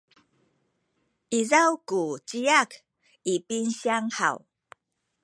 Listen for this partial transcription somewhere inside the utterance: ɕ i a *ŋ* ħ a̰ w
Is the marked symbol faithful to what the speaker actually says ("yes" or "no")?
yes